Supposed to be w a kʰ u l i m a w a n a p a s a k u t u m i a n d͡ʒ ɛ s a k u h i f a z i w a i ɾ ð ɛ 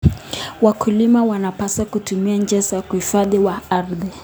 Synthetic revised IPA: w a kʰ u l i m a w a n a p a s a k u t u m i a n d͡ʒ ɛ s a k u h i f a ð i w a a ɾ ð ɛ